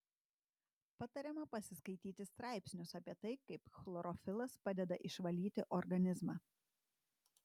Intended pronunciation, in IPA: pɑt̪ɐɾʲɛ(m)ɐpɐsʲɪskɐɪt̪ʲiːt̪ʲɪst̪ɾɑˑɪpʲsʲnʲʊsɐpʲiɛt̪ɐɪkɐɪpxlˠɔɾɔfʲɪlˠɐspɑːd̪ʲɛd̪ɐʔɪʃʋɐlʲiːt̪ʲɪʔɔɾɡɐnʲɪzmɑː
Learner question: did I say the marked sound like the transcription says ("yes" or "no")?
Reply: yes